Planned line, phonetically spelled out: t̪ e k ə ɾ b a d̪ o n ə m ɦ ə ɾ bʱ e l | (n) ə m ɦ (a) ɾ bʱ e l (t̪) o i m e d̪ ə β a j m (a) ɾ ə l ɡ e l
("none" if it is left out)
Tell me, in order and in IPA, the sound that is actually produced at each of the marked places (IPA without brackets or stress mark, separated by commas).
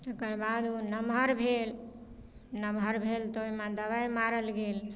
n, ə, t̪, a